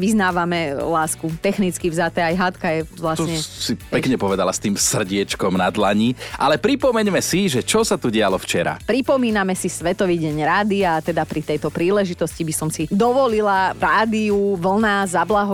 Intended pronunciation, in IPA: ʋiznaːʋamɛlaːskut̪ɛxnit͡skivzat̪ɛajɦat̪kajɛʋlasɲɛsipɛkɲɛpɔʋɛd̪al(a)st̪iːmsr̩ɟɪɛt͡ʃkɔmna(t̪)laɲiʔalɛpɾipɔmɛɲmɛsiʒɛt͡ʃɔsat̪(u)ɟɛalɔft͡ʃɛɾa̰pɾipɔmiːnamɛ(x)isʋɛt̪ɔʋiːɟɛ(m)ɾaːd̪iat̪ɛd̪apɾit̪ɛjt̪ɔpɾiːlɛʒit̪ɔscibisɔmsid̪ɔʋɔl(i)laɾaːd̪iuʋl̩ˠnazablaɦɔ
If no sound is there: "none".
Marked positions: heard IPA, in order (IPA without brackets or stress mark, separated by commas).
a, d̪, u, s, ɲ, i